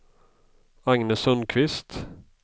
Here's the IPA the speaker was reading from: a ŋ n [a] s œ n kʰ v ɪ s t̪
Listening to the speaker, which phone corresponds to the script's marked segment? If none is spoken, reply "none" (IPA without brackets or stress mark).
ə